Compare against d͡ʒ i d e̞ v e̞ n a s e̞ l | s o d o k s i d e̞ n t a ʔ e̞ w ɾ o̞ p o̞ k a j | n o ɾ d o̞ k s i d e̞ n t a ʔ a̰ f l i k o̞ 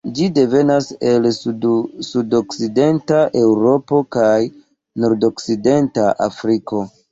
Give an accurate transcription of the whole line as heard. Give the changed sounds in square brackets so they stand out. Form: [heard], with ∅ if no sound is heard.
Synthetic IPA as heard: d͡ʒ i d e̞ v e̞ n a s e̞ l | s [u] d o k s i d e̞ n t a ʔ e̞ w ɾ o̞ p o̞ k a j | n o ɾ d o̞ k s i d e̞ n t a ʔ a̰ f [ɾ] i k o̞